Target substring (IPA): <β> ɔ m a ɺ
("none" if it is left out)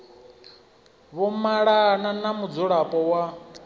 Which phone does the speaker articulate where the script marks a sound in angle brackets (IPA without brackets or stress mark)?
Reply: β